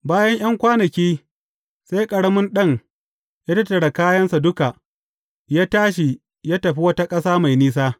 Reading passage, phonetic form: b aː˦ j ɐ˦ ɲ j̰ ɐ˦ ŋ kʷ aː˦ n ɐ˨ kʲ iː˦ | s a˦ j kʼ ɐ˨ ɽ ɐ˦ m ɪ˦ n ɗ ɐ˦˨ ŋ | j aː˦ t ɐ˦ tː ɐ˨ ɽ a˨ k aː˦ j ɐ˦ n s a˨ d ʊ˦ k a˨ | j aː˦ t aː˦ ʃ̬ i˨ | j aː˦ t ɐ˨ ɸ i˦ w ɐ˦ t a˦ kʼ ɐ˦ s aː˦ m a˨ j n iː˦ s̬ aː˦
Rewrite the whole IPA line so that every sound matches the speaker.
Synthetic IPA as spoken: b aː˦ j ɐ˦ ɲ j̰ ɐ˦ ŋ kʷ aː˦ n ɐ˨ kʲ iː˦ | s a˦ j kʼ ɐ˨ ɽ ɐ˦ m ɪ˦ n ɗ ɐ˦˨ ŋ | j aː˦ t ɐ˦ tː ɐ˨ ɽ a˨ k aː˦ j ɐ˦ n s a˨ d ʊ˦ k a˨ | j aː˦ t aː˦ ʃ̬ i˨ | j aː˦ t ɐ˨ ɸ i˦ w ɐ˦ t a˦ kʼ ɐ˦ s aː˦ m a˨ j n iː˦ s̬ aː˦